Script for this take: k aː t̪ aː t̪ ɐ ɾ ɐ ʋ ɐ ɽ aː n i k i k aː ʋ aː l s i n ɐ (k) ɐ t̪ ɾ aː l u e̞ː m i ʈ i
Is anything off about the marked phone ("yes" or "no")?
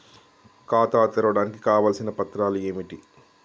yes